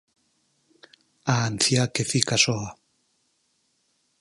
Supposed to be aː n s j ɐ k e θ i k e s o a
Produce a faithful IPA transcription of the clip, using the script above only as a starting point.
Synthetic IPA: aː n θ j a k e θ i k a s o a